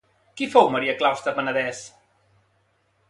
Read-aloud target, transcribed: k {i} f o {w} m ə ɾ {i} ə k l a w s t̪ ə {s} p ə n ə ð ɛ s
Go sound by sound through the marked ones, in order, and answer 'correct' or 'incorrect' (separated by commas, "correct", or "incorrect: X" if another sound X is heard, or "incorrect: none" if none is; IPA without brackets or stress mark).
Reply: correct, correct, correct, incorrect: none